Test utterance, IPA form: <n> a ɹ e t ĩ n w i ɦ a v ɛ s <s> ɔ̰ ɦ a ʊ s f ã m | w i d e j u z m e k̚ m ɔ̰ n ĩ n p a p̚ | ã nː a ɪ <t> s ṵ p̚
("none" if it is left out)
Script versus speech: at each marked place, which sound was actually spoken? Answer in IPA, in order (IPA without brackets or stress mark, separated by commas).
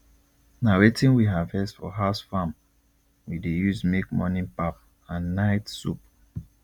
n, f, t